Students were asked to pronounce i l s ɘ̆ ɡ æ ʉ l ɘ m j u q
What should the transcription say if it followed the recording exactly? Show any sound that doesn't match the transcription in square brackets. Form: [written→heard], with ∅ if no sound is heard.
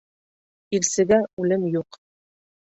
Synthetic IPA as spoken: i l s ɘ̆ ɡ æ ʉ l ɘ m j u q